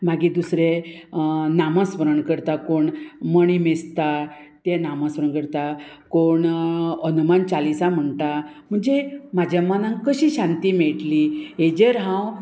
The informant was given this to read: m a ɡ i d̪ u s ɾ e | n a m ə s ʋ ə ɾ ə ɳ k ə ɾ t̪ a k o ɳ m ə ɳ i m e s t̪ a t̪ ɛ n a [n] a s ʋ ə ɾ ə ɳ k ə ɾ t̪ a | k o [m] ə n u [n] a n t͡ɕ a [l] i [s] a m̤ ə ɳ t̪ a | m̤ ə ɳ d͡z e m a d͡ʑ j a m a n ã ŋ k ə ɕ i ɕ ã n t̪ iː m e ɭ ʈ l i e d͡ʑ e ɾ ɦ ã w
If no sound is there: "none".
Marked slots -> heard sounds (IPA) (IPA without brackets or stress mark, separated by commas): m, ɳ, m, l, s